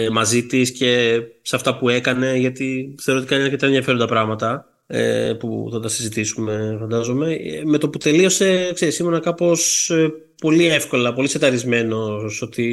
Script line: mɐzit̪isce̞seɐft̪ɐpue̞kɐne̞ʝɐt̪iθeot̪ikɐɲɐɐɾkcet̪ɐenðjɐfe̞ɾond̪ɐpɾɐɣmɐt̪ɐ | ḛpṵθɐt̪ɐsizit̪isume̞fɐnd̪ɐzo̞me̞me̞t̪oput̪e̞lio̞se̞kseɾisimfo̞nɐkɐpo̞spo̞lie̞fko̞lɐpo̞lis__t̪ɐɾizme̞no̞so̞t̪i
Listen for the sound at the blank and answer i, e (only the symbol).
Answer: e